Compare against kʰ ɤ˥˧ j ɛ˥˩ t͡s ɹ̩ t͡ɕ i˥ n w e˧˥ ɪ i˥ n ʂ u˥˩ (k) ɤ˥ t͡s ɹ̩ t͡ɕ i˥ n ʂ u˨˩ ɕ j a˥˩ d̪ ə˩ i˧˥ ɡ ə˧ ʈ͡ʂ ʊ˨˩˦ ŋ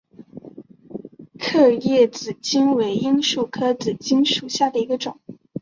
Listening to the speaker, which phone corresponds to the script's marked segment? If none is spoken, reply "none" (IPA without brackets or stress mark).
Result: kʰ